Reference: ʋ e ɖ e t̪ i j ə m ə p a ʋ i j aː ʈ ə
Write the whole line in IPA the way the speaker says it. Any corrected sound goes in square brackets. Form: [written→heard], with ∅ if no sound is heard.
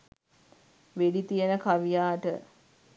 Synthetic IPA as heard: ʋ e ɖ [e→i] t̪ i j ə [m→n] ə [p→k] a ʋ i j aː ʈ ə